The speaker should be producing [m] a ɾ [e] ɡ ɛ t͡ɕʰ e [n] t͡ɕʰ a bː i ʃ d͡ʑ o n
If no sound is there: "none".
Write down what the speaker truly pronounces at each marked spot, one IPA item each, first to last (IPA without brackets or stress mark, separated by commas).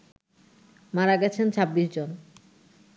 m, a, n